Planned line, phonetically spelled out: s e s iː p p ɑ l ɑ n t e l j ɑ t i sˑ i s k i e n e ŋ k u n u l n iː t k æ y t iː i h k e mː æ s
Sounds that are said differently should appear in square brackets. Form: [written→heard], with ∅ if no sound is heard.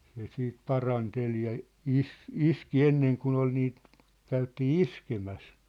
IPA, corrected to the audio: s e s iː [p→t] p ɑ [l→r] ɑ n t e l j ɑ [t→∅] i sˑ i s k i e [n→nː] e ŋ k u n [u→o] l n iː t k æ y t iː i [h→s] k e [mː→m] æ s